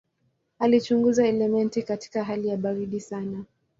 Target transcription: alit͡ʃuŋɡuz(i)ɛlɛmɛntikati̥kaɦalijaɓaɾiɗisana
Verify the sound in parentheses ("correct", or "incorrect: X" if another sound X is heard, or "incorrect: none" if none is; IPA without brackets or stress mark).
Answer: incorrect: a